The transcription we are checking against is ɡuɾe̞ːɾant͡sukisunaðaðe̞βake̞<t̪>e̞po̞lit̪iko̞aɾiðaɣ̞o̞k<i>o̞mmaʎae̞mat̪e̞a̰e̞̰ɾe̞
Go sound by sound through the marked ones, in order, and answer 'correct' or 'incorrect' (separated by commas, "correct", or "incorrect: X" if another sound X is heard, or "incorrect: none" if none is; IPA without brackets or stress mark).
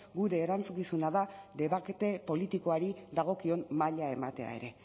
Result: correct, correct